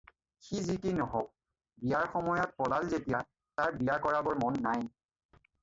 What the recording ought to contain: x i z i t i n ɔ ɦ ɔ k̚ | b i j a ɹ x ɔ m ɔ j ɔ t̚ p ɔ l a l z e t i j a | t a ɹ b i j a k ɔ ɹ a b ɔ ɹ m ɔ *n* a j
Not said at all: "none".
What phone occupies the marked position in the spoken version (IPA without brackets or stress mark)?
nː